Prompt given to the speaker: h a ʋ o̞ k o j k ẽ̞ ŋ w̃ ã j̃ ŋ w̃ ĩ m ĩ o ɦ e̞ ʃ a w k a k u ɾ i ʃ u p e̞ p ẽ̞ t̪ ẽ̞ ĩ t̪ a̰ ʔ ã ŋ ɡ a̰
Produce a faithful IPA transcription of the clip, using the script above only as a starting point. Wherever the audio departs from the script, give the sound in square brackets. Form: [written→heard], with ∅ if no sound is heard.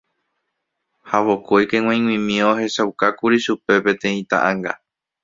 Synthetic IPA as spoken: h a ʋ o̞ k o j k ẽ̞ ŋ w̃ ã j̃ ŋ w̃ ĩ m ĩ o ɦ e̞ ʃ a w k a k u ɾ i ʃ u p e̞ p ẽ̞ t̪ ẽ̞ ĩ t̪ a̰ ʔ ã ŋ ɡ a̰